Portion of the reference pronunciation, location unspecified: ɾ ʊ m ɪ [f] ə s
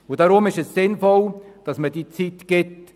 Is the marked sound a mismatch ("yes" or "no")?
yes